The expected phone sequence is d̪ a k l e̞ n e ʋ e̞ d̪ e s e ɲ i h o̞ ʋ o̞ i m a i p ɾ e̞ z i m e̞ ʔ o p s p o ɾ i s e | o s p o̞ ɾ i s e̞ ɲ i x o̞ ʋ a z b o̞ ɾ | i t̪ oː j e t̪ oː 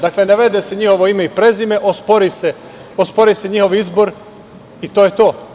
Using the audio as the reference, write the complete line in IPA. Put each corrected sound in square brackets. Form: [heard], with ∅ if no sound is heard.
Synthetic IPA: d̪ a k l e̞ n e ʋ e̞ d̪ e s e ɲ i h o̞ ʋ o̞ i m [e] i p ɾ e̞ z i m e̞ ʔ o [∅] s p o ɾ i s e | o s p o̞ ɾ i s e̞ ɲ i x o̞ ʋ [i] z b o̞ ɾ | i t̪ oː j e t̪ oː